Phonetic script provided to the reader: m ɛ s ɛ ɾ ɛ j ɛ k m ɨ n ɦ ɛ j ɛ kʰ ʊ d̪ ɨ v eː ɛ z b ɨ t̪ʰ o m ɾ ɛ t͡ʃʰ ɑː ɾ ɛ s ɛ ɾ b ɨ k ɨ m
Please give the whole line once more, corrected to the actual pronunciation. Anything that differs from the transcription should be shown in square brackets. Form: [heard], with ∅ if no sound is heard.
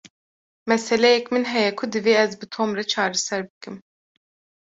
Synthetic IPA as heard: m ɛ s ɛ [l] ɛ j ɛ k m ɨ n ɦ ɛ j ɛ kʰ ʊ d̪ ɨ v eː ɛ z b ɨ t̪ʰ o m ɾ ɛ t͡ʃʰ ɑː ɾ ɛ s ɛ ɾ b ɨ k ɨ m